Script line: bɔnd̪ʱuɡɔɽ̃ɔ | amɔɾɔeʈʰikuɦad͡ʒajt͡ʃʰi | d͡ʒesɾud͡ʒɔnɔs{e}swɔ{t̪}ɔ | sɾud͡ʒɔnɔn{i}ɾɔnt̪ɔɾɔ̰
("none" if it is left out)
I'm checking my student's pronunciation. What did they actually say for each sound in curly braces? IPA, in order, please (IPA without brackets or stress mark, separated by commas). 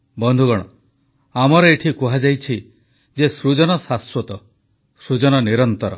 a, t̪, i